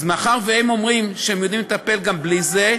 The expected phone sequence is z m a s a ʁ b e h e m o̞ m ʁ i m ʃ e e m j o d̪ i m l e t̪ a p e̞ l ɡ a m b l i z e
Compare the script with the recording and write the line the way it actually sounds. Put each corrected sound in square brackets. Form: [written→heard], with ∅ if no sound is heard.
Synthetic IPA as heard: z m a [s→χ] a ʁ [b→v] e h e m o̞ m ʁ i m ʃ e e m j o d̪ i m l e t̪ a p e̞ l ɡ a m b l i z e